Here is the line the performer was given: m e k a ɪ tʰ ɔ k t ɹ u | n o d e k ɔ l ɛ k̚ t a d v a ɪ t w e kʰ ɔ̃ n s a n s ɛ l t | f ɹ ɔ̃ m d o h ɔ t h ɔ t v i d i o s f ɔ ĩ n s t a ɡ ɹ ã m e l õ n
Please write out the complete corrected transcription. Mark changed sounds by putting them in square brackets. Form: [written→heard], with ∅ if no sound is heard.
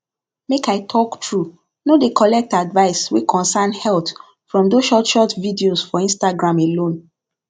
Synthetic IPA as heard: m e k a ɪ tʰ ɔ k t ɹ u | n o d e k ɔ l ɛ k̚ t a d v a ɪ [t→s] w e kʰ ɔ̃ n s a n [s→h] ɛ l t | f ɹ ɔ̃ m d o [h→ʃ] ɔ t [h→ʃ] ɔ t v i d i o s f ɔ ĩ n s t a ɡ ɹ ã m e l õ n

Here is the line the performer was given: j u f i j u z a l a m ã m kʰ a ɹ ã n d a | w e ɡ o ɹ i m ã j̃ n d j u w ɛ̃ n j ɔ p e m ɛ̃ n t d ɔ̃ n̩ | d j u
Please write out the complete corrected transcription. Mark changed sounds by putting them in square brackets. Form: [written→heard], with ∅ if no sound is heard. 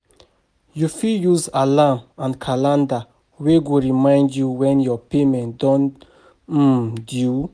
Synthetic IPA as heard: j u f i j u z a l a m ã [m→n] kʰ a [ɹ→l] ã n d a | w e ɡ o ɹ i m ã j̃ n d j u w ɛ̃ n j ɔ p e m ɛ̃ n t d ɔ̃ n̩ | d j u

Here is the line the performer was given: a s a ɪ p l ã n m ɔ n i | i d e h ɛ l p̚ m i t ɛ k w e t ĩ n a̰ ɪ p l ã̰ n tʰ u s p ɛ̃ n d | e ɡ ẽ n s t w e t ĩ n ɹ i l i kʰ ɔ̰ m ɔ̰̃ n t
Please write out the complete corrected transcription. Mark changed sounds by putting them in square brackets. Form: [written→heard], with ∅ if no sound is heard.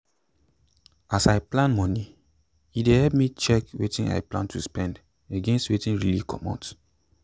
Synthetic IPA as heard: a s a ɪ p l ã n m ɔ n i | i d e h ɛ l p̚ m i [t→t͡ʃ] ɛ k w e t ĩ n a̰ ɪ p l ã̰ n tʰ u s p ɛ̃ n d | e ɡ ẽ n s t w e t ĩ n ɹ i l i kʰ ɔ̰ m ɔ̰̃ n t

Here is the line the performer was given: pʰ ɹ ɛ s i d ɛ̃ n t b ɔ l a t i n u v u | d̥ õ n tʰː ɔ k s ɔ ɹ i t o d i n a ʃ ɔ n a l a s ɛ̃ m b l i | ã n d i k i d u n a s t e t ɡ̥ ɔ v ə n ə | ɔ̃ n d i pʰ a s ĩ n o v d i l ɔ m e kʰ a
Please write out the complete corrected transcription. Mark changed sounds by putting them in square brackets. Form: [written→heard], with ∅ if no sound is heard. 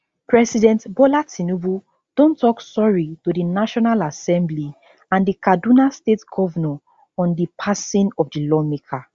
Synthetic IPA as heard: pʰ ɹ ɛ s i d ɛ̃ n t b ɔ l a t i n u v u | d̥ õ n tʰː ɔ k s ɔ ɹ i t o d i n a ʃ ɔ n a l a s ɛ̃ m b l i | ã n d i k [i→a] d u n a s t e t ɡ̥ ɔ v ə n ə | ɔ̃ n d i pʰ a s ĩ n [o→ɔ] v d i l ɔ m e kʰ a

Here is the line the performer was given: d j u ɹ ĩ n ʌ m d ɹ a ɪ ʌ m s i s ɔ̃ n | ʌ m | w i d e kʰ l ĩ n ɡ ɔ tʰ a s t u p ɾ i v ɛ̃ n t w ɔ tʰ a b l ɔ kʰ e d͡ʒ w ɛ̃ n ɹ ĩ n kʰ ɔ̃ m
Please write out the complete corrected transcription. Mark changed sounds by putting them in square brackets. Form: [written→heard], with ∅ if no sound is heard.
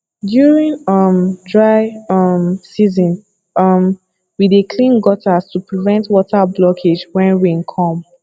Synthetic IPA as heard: d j u ɹ ĩ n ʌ m d ɹ a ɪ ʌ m s i [s→z] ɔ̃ n | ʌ m | w i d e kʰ l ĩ n ɡ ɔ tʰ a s t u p [ɾ→ɹ] i v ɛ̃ n t w ɔ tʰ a b l ɔ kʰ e d͡ʒ w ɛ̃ n ɹ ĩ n kʰ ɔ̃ m

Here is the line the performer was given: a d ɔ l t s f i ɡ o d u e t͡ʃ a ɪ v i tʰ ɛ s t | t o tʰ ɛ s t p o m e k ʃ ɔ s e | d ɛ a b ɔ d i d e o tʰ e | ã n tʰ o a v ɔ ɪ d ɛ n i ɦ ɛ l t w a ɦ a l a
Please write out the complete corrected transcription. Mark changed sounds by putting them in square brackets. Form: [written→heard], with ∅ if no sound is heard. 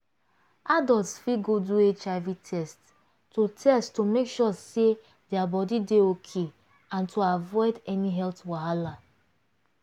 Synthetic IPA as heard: a d ɔ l t s f i ɡ o d u e t͡ʃ a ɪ v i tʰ ɛ s t | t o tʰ ɛ s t [p→t] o m e k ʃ ɔ s e | d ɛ a b ɔ d i d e o [tʰ→kʰ] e | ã n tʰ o a v ɔ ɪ d ɛ n i ɦ ɛ l t w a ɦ a l a

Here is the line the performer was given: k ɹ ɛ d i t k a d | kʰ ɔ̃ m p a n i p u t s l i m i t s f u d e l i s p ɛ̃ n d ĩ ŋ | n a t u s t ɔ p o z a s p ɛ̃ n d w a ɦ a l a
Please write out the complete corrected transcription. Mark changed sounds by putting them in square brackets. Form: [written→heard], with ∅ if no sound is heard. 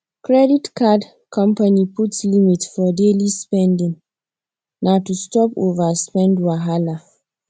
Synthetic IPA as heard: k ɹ ɛ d i t k a d | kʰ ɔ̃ m p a n i p u t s l i m i t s f [u→ɔ] d e l i s p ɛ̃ n d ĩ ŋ | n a t u s t ɔ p o [z→v] a s p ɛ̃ n d w a ɦ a l a

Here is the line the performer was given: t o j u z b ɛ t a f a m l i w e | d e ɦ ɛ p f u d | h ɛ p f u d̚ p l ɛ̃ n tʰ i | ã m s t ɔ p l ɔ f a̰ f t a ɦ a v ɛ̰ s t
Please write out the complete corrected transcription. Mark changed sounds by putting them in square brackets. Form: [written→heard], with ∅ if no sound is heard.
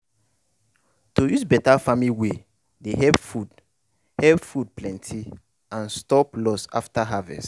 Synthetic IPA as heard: t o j u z b ɛ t a f a m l i w e | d e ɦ ɛ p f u d | h ɛ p f u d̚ p l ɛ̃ n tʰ i | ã [m→n] s t ɔ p l ɔ [f→s] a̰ f t a ɦ a v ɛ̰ s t

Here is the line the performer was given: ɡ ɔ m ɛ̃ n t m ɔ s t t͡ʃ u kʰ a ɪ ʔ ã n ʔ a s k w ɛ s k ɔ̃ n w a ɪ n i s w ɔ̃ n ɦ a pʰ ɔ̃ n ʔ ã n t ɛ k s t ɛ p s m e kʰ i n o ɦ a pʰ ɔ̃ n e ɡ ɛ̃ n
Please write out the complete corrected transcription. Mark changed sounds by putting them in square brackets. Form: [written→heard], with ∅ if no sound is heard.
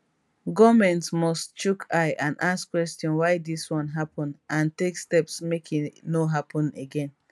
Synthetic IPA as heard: ɡ ɔ m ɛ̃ n t m ɔ s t t͡ʃ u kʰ a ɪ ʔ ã n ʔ a s k w ɛ s [k→t] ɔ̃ n w a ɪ [n→d] i s w ɔ̃ n ɦ a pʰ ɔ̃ n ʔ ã n t [ɛ→e] k s t ɛ p s m e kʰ i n o ɦ a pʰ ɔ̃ n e ɡ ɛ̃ n

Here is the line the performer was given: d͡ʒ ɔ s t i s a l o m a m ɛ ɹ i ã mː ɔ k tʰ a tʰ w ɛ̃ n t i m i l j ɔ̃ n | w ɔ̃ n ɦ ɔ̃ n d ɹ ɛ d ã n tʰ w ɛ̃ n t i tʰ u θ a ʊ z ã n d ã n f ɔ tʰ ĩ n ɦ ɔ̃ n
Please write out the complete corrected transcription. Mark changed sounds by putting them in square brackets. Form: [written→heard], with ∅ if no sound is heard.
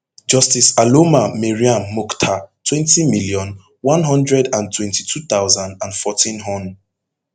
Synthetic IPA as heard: d͡ʒ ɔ s t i s a l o m a m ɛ ɹ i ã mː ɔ k tʰ a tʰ w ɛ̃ n t i m i l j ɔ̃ n | w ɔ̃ n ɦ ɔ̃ n d ɹ ɛ d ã n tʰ w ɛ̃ n t i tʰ u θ a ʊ z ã n d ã n f ɔ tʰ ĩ n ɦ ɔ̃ n

